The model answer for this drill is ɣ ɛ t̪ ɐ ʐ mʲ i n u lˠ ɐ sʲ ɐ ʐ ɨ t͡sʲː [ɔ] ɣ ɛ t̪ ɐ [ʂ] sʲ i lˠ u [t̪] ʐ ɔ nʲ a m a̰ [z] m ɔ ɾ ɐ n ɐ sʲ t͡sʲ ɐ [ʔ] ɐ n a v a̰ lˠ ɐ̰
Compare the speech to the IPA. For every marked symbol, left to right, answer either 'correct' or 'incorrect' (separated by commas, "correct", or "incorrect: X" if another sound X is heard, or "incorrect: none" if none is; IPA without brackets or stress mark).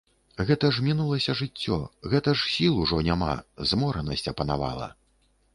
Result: correct, correct, incorrect: none, correct, incorrect: p